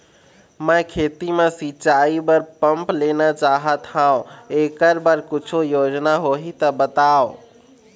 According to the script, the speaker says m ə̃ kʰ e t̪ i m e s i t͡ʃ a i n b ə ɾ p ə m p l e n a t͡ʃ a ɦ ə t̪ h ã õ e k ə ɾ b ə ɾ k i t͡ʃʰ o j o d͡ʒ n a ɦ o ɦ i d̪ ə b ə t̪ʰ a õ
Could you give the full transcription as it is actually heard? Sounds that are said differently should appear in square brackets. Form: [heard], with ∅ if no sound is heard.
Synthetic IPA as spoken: m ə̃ kʰ e t̪ i m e s i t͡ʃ a i [∅] b ə ɾ p ə m p l e n a t͡ʃ a ɦ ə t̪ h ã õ e k ə ɾ b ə ɾ k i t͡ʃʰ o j o d͡ʒ n a ɦ o ɦ i [t̪] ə b ə [t̪] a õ

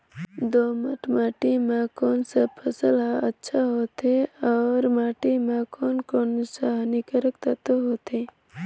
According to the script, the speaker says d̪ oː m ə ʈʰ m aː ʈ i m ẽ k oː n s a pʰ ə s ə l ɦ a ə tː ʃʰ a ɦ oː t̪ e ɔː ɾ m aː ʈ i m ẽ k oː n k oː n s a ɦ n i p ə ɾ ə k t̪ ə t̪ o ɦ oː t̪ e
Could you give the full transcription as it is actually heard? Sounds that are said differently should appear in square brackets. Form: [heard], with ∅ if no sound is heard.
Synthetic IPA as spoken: d̪ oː m ə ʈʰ m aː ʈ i m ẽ k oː n s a pʰ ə s ə l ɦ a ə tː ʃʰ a ɦ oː t̪ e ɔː ɾ m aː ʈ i m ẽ k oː n k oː n s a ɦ n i [k] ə ɾ ə k t̪ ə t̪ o ɦ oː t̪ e

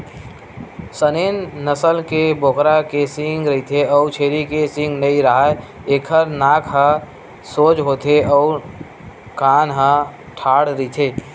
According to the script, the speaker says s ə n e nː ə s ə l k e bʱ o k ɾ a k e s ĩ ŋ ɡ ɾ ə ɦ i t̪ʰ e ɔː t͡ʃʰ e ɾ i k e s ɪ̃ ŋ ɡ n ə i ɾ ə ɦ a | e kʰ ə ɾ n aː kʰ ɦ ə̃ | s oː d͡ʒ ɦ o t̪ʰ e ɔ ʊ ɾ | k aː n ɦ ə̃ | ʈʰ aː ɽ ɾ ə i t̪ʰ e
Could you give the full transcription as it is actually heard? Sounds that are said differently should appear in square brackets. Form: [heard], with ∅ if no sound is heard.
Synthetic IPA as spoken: s ə n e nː ə s ə l k e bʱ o k ɾ a k e s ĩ ŋ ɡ ɾ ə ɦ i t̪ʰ e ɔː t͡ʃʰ e ɾ i k e s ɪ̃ ŋ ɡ n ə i ɾ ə ɦ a | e kʰ ə ɾ n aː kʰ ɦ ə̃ | s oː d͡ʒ ɦ o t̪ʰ e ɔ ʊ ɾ | k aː n ɦ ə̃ | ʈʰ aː ɽ ɾ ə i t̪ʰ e

